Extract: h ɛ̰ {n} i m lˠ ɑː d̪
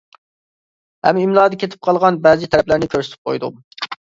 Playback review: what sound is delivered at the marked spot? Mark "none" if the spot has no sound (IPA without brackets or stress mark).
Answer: m